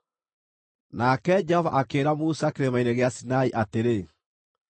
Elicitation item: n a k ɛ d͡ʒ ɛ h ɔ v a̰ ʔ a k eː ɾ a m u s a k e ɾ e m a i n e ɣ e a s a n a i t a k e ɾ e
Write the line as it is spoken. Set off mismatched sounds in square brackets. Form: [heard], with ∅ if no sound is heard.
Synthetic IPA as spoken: n a k ɛ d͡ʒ ɛ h ɔ v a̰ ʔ a k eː ɾ a m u s a k e ɾ e m a i n e ɣ e a s [i] n a i [ʔ] a [t] e ɾ e

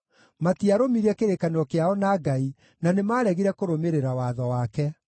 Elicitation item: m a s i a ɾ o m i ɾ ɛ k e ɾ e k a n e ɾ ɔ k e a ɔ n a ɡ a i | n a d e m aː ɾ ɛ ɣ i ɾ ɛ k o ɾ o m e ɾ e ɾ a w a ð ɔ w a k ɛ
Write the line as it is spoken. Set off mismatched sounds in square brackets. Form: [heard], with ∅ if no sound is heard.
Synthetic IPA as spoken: m a [t] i a ɾ o m i ɾ ɛ k e ɾ e k a n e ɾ ɔ k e a ɔ n a ɡ a i | n a [n] e m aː ɾ ɛ ɣ i ɾ ɛ k o ɾ o m e ɾ e ɾ a w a ð ɔ w a k ɛ

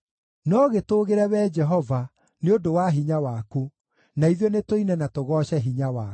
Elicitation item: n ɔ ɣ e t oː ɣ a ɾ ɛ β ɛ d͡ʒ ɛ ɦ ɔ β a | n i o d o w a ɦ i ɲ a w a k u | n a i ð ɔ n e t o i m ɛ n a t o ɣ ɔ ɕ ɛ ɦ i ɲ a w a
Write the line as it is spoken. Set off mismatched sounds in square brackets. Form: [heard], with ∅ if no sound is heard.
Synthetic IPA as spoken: n ɔ ɣ e t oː ɣ [e] ɾ ɛ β ɛ d͡ʒ ɛ ɦ ɔ [v] a | n [e] o d o w a ɦ i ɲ a w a k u | n a i ð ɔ n e t o i [n] ɛ n a t o ɣ ɔ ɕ ɛ ɦ i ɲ a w a

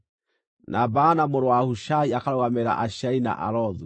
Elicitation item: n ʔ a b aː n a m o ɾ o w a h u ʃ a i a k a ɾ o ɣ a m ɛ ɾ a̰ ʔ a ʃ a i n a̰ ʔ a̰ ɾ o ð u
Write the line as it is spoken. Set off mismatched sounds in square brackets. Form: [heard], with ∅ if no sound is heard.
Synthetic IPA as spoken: n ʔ a b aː n a m o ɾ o w a h u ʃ a i a k a ɾ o ɣ a m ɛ ɾ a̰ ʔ a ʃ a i n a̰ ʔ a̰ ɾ [ɔ] ð u

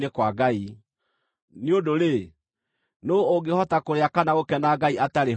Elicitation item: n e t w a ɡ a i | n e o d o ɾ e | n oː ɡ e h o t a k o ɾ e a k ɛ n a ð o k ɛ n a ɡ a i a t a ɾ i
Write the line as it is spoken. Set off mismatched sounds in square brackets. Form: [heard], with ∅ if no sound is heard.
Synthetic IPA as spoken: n e [k] w a ɡ a i | n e o d o ɾ e | n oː ɡ e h [ɔ] t a k o ɾ e a k [a] n a [ɣ] o k ɛ n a ɡ a i a t a ɾ [e]

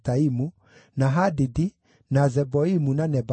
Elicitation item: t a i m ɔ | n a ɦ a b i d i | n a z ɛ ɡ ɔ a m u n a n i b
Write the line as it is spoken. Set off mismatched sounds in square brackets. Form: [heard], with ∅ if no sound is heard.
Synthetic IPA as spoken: t a i m [u] | n a ɦ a [d] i d i | n a z ɛ [b] ɔ [i] m u n a n [ɛ] b

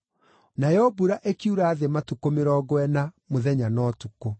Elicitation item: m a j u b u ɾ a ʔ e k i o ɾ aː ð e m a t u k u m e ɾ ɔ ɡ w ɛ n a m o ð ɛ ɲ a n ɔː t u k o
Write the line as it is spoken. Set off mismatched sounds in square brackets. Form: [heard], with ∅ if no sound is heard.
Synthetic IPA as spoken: [n] a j [ɔ] b u ɾ a ʔ e k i [u] ɾ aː ð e m a t u k [o] m e ɾ ɔ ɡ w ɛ n a m o ð ɛ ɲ a n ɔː t u k o

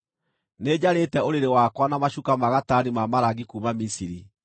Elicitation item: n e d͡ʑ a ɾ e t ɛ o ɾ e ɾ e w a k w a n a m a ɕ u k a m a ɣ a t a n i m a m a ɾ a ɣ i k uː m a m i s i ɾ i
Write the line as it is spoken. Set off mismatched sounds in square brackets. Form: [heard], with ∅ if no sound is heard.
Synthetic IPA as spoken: n e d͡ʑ a ɾ e t ɛ o ɾ e ɾ e w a k w a n a m a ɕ u k a m a ɣ a t a n i m a m a ɾ a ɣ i k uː m a m i s i ɾ i

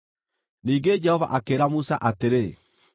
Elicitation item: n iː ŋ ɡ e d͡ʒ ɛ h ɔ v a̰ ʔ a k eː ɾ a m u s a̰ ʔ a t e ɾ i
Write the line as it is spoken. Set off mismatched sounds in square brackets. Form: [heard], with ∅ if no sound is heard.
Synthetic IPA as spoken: n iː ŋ ɡ e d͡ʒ ɛ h ɔ v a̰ ʔ a k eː ɾ a m u s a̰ ʔ a t e ɾ [e]

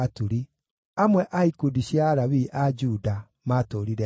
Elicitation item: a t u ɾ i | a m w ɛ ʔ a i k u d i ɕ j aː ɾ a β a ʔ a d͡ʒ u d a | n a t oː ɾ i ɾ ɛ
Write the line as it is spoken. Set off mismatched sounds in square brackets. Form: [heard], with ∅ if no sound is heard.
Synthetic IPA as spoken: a t u ɾ i | a m w ɛ ʔ a i k u d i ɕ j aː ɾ a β [i] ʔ a d͡ʒ u d a | [m] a t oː ɾ i ɾ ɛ

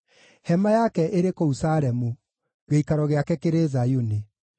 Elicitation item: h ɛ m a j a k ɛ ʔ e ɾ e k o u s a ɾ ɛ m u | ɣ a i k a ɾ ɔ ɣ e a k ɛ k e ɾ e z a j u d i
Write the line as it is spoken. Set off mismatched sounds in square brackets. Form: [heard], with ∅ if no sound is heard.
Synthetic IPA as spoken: h ɛ m a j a k ɛ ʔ e ɾ e k o u s a ɾ ɛ m u | ɣ [e] i k a ɾ ɔ ɣ e a k ɛ k e ɾ e z a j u [n] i

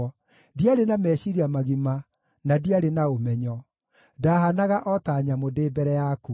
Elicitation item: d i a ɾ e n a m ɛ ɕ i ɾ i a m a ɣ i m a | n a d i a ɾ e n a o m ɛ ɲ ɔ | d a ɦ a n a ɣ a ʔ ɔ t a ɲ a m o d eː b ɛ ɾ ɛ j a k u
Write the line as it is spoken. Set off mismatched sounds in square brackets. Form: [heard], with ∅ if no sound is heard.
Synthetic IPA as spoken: d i a ɾ e n a m ɛ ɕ i ɾ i a m a ɣ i m a | n a d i a ɾ e n a o m ɛ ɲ ɔ | d a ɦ a n a ɣ a ʔ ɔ t a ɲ a m o d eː b ɛ ɾ ɛ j a k u

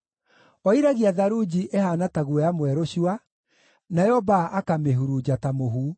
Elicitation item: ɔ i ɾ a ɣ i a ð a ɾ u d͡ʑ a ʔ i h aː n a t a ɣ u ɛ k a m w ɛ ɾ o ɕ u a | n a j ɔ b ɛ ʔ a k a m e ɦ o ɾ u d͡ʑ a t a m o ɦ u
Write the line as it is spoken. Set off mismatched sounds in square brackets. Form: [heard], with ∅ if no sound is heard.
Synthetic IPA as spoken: ɔ i ɾ a ɣ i a ð a ɾ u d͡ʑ [i] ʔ [e] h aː n a t a ɣ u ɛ [∅] a m w ɛ ɾ o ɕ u a | n a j ɔ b [a] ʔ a k a m e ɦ [u] ɾ u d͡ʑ a t a m o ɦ u

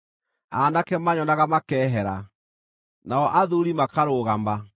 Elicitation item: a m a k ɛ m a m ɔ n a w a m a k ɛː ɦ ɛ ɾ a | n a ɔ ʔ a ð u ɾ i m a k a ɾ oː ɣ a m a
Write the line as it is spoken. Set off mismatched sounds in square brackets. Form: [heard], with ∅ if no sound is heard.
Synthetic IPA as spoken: a [n] a k ɛ m a [ɲ] ɔ n a [ɣ] a m a k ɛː ɦ ɛ ɾ a | n a ɔ ʔ a ð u ɾ i m a k a ɾ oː ɣ a m a

